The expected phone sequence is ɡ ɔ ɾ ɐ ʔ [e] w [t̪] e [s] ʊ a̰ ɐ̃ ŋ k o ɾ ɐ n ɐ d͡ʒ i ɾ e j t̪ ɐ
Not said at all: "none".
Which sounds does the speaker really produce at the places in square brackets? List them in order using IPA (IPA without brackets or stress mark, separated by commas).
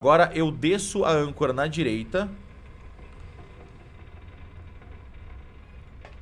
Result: e, d̪, s